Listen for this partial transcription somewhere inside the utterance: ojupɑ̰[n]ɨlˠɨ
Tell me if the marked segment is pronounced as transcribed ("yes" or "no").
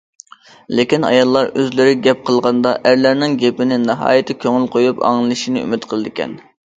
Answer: no